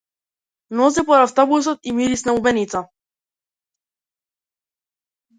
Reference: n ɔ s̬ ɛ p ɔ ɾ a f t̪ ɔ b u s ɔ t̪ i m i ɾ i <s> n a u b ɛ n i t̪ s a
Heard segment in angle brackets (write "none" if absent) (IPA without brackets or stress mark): s